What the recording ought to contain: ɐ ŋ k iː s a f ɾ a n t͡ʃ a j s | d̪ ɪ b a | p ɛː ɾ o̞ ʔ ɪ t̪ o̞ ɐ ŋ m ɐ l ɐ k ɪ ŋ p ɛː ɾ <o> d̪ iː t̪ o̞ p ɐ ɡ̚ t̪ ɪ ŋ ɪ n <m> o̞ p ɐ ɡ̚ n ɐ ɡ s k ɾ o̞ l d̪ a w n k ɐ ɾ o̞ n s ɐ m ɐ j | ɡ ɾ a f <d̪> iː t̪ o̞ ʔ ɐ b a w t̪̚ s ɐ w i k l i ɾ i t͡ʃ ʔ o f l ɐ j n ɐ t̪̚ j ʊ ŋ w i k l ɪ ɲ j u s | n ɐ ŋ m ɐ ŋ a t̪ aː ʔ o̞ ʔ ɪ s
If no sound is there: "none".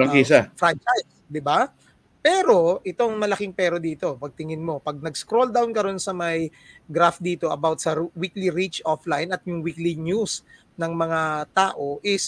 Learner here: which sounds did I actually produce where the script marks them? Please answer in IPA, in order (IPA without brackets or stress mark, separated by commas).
o, m, d̪